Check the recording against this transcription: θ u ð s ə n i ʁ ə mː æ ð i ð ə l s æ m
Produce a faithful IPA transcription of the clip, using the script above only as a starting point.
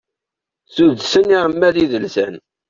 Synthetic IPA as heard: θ u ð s ə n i ʁ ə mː æ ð i ð ə l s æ n